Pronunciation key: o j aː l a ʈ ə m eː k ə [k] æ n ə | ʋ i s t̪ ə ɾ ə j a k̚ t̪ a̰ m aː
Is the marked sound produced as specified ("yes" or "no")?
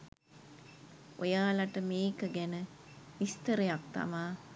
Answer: no